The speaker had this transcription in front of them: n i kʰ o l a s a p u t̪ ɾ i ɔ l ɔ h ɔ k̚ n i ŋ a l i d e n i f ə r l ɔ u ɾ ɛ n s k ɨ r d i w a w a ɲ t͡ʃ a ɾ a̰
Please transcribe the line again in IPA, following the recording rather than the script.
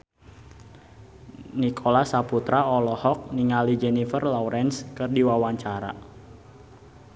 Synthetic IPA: n i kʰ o l a s a p u t̪ ɾ a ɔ l ɔ h ɔ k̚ n i ŋ a l i d͡ʒ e n i f ə r l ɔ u ɾ ɛ n s k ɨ r d i w a w a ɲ t͡ʃ a ɾ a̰